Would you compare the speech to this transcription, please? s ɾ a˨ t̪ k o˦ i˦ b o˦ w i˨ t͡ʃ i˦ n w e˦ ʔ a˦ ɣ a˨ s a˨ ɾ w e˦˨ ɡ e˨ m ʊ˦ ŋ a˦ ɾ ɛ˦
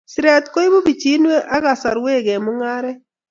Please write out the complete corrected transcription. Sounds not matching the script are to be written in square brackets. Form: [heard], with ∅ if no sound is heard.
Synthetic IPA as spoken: s ɾ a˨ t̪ k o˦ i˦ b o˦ [b] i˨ t͡ʃ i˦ n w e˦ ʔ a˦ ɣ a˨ s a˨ ɾ w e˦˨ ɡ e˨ m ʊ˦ ŋ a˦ ɾ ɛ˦